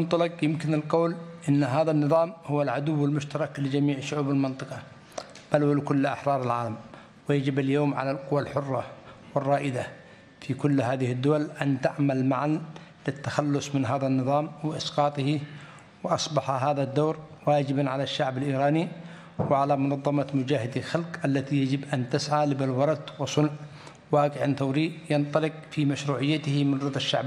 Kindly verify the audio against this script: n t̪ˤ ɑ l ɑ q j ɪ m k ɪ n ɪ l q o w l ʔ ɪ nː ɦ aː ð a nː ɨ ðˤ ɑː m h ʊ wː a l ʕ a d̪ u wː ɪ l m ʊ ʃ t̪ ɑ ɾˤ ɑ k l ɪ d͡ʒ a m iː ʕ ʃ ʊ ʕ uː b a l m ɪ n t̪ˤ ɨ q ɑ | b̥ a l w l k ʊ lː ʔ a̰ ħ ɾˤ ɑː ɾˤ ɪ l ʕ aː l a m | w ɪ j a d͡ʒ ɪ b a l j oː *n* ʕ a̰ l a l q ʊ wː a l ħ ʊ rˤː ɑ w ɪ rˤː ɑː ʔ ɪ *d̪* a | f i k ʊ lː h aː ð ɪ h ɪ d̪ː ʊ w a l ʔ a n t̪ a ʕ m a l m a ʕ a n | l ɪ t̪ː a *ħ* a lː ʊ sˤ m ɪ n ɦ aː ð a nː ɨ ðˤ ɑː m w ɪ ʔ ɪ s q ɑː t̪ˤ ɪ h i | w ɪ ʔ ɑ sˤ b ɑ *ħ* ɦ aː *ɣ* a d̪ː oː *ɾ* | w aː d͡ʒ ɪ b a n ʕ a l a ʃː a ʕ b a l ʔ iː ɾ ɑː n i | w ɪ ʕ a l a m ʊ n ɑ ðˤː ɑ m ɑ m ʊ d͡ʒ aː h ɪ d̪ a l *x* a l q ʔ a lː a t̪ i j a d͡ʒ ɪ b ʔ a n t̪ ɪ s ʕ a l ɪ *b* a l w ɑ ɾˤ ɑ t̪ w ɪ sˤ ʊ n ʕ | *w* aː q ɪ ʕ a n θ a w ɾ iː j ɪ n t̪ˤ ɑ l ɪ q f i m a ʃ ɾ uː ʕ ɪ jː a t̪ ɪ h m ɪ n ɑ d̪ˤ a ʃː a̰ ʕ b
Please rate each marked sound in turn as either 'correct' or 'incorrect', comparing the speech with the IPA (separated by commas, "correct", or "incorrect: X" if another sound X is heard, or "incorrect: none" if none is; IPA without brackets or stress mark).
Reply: incorrect: m, correct, incorrect: x, correct, incorrect: ð, correct, correct, correct, correct